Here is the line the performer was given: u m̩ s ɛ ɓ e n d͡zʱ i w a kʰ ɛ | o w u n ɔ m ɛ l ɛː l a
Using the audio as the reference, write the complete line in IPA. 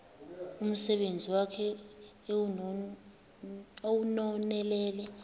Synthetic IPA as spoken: u m̩ s ɛ ɓ e n d͡zʱ i w a kʰ ɛ | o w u n ɔ n ɛ l ɛː l ɛ